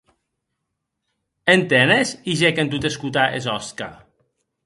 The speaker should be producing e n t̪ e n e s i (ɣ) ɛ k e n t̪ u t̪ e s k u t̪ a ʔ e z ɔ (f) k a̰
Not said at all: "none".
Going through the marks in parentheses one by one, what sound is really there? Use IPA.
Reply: ʒ, s

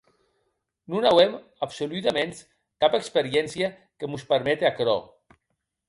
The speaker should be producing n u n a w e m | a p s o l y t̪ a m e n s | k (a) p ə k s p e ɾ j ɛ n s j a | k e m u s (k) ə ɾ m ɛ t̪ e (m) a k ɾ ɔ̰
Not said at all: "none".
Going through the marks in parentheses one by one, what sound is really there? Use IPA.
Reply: a, p, none

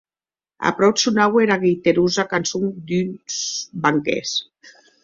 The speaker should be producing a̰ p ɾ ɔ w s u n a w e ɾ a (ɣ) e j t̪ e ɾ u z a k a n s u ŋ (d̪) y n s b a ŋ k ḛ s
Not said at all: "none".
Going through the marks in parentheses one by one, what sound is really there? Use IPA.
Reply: ɣ, d̪

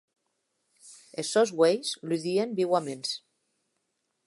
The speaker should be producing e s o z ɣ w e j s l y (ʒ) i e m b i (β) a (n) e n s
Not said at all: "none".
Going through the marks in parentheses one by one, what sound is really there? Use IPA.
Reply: ð, w, m

